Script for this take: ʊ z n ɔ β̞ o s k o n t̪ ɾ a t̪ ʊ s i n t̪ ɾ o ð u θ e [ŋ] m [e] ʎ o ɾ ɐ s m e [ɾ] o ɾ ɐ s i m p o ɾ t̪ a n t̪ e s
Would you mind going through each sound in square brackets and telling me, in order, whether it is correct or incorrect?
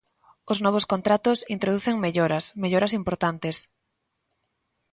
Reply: correct, correct, incorrect

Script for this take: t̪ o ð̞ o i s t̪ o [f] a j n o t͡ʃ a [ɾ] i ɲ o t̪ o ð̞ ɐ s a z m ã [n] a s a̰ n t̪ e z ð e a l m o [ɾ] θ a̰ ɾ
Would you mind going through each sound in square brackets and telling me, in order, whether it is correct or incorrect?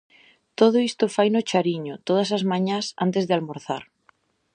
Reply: correct, correct, incorrect, correct

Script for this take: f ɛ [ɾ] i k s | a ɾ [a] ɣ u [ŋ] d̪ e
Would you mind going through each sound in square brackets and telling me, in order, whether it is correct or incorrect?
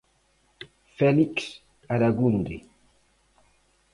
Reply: incorrect, correct, incorrect

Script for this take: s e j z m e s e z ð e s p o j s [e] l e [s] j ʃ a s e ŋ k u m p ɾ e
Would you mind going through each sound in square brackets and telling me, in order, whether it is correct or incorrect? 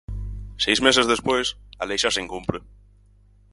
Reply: incorrect, incorrect

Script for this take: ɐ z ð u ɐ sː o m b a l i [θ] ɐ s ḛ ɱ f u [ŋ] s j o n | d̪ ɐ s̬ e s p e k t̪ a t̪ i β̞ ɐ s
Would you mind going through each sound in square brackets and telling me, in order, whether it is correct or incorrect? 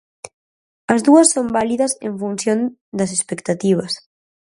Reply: incorrect, incorrect

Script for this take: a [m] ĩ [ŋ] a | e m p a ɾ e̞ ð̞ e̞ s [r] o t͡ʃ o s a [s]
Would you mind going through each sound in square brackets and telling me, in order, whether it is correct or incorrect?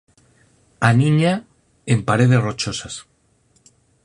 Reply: incorrect, incorrect, correct, correct

